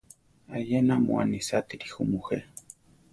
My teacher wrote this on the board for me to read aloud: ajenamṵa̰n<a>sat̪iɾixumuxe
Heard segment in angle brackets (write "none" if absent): i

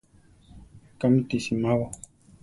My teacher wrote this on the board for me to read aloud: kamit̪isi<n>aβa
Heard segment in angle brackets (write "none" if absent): m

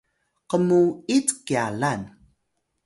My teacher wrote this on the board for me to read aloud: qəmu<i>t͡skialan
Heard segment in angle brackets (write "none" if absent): i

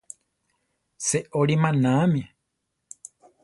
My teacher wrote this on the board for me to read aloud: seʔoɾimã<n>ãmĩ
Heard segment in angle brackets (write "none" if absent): n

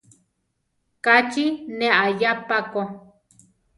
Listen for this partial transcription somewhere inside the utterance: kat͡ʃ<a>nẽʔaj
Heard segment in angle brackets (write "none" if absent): i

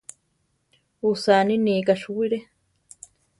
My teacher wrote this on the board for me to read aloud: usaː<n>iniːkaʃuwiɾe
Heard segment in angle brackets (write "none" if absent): n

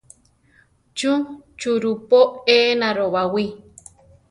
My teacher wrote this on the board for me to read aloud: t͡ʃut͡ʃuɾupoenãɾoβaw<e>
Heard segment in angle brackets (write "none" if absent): i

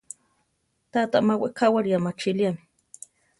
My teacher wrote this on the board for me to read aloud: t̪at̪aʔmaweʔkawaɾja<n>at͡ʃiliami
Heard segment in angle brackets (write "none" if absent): m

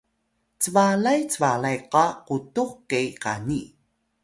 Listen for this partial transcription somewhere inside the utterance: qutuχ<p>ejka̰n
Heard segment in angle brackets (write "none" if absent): k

